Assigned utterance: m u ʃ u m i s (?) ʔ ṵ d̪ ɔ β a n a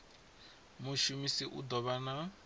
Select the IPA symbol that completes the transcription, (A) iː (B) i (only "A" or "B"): B